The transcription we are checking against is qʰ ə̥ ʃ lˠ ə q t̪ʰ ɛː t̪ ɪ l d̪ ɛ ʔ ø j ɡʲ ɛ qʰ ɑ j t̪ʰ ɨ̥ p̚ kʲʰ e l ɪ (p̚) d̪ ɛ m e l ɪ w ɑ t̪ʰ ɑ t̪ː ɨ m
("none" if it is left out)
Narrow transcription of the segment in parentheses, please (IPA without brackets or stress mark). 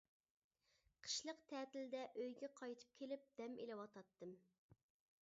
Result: p̚